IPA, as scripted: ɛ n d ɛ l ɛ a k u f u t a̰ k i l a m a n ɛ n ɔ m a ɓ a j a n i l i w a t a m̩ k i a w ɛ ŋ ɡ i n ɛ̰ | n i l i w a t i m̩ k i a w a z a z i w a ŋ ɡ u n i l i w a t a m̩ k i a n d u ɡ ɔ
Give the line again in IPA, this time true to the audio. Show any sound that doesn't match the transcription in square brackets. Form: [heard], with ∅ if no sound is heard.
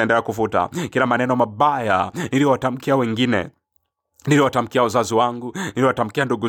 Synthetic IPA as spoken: ɛ n d ɛ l ɛ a k u f u t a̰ k i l a m a n ɛ n ɔ m a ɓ a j a n i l i w a t a m̩ k i a w ɛ ŋ ɡ i n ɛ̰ | n i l i w a t [a] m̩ k i a w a z a z i w a ŋ ɡ u n i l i w a t a m̩ k i a n d u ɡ [u]